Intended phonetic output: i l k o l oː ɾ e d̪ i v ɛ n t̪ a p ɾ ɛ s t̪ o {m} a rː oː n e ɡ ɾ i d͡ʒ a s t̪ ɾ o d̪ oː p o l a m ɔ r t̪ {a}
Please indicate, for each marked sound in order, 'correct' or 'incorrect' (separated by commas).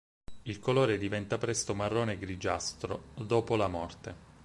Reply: correct, incorrect